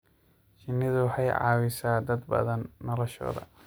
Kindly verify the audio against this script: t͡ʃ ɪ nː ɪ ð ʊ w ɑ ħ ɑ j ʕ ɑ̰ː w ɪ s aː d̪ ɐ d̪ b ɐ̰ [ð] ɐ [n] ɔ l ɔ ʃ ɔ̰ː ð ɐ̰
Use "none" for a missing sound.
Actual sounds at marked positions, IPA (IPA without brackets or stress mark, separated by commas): ð, nː